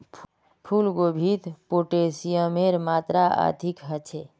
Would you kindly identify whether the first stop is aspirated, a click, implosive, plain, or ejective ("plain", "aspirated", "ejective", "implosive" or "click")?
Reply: aspirated